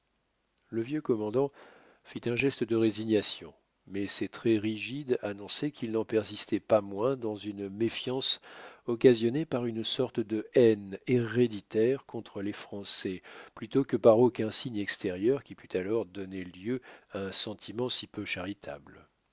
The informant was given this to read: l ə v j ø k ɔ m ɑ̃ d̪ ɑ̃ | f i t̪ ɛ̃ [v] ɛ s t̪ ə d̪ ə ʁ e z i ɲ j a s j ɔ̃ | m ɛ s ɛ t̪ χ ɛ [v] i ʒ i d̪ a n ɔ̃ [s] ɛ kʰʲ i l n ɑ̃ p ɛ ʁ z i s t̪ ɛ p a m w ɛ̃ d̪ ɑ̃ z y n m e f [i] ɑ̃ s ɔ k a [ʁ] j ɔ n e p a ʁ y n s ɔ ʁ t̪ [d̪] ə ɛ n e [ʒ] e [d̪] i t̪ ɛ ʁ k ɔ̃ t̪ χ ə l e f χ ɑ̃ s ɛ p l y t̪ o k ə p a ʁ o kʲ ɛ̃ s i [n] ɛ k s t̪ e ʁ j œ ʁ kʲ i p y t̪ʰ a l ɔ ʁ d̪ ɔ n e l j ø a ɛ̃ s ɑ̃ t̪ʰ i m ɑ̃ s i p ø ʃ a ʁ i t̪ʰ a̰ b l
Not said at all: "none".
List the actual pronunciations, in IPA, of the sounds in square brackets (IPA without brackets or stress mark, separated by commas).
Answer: ʒ, ʁ, s, j, z, d̪, ʁ, d̪, ɲ